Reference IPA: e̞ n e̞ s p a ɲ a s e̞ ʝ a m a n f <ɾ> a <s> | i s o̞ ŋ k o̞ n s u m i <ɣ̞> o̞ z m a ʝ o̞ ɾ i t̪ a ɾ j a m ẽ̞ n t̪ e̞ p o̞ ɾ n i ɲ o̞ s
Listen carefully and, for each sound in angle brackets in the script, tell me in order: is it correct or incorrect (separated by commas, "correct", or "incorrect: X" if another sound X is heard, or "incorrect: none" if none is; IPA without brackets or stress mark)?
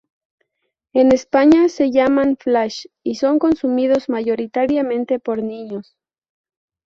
incorrect: l, incorrect: ʃ, incorrect: ð̞